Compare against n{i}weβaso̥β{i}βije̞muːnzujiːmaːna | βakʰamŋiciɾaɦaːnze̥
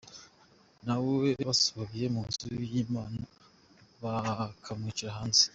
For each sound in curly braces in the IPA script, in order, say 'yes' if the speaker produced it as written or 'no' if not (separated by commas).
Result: no, no